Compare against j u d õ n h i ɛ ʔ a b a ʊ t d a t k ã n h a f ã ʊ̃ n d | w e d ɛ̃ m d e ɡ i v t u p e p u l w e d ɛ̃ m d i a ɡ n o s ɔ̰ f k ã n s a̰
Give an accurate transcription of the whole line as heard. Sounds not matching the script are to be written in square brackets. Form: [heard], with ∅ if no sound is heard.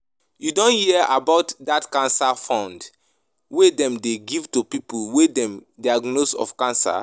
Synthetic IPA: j u d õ n h i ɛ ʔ a b a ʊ t d a t k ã n [s] a f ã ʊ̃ n d | w e d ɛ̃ m d e ɡ i v t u p [i] p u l w e d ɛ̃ m d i a ɡ n o s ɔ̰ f k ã n s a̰